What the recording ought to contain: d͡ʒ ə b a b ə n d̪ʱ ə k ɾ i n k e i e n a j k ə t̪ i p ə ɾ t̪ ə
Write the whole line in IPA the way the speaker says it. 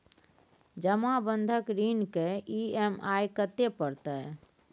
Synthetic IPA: d͡ʒ ə m a b ə n d̪ʱ ə k ɾ i n k e i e m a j k ə t̪ e p ə ɾ t̪ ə